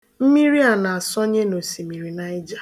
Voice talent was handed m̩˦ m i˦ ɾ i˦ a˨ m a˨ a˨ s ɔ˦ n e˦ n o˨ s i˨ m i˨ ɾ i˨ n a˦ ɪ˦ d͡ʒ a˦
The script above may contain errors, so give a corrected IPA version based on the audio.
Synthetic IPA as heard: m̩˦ m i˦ ɾ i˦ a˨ n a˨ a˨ s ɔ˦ ɲ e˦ n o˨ s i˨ m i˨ ɾ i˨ n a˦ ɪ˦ d͡ʒ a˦